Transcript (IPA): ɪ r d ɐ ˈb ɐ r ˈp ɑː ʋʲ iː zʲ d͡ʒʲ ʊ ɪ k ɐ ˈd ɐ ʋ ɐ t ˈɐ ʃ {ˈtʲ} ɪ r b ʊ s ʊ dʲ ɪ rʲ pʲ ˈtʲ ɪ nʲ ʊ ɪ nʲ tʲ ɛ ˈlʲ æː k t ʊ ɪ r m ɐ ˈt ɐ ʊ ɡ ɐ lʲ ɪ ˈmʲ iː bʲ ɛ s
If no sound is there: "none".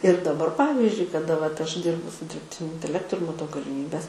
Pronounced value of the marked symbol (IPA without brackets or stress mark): dʲ